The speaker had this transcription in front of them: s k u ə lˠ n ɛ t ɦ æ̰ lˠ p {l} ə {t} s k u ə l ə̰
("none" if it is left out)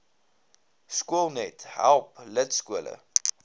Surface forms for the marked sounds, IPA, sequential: l, t

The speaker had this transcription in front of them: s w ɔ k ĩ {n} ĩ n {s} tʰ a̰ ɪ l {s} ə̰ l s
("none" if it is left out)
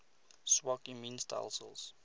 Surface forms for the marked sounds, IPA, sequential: m, s, s

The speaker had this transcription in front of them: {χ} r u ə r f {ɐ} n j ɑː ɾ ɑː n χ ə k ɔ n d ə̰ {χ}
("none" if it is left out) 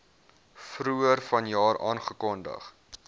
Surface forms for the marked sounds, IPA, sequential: f, ɐ, χ

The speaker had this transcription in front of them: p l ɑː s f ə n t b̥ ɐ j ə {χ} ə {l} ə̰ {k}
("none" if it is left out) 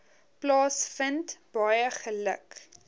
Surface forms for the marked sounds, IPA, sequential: χ, l, k

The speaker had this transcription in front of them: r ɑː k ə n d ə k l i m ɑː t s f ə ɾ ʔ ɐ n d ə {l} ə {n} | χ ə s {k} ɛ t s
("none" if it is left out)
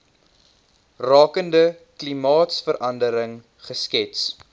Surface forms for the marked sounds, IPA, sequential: ɾ, ŋ, k

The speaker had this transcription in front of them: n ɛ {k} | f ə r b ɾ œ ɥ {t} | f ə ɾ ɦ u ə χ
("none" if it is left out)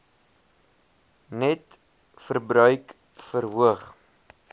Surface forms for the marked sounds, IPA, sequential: t, k

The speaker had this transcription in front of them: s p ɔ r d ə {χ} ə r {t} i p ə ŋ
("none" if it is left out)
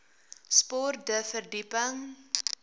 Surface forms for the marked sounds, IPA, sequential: f, d

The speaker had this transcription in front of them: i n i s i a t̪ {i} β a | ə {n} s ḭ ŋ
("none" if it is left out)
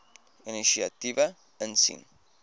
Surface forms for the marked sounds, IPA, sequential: i, n

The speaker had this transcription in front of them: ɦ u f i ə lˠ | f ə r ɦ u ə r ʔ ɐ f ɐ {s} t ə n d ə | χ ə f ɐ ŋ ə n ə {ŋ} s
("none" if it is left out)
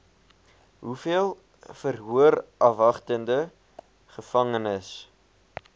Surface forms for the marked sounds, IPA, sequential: χ, none

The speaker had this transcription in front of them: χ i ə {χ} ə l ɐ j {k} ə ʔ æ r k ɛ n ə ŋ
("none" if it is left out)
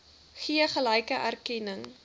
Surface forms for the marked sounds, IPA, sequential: χ, k

